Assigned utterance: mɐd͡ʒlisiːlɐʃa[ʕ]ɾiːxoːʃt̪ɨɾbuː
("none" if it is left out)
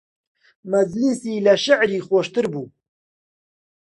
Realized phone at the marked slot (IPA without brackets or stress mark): ʕ